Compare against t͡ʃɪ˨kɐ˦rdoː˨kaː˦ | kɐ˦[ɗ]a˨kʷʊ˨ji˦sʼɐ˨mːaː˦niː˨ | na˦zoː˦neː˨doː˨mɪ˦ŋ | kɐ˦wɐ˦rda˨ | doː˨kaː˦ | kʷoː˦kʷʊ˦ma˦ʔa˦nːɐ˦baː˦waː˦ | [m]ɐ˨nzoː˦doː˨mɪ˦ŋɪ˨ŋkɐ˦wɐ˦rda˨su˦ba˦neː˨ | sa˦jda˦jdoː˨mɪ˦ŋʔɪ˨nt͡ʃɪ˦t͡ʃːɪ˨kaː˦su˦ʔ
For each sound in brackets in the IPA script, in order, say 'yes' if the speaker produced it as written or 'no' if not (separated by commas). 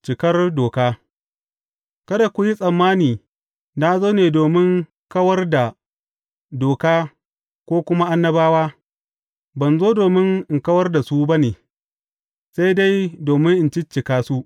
no, no